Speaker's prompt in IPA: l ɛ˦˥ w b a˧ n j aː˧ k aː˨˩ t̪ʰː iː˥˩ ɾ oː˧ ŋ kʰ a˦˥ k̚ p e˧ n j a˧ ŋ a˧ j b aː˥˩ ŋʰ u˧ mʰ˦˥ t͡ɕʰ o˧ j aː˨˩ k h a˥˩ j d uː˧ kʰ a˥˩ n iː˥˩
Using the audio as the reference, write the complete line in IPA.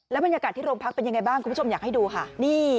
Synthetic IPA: l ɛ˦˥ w b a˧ n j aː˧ k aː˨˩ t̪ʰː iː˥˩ ɾ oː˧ ŋ pʰ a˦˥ k̚ p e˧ n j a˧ ŋ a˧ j b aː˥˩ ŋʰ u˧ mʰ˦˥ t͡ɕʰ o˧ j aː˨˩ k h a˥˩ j d uː˧ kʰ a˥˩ n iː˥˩